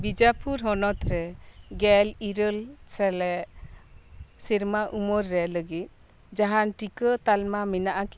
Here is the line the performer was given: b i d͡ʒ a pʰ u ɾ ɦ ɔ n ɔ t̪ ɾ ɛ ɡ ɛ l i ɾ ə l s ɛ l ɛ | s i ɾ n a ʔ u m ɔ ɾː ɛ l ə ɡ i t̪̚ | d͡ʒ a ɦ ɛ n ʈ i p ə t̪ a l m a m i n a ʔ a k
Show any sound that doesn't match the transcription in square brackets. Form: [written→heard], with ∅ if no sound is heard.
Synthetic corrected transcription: b i d͡ʒ a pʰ u ɾ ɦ ɔ n ɔ t̪ ɾ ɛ ɡ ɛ l i ɾ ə l s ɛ l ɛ | s i ɾ [n→m] a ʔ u m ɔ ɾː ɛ l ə ɡ i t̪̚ | d͡ʒ a ɦ [ɛ→a] n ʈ i [p→k] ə t̪ a l m a m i n a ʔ a k